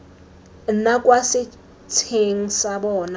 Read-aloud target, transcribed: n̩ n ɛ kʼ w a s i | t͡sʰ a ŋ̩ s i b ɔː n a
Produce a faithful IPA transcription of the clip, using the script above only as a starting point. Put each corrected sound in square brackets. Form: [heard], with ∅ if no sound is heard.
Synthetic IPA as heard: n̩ n [a] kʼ w a s [ɪ] | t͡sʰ [e] ŋ̩ s [a] b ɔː n a